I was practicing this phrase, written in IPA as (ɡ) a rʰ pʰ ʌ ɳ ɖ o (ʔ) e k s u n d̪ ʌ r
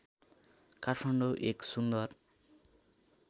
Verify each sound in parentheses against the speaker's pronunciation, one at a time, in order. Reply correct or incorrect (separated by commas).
incorrect, correct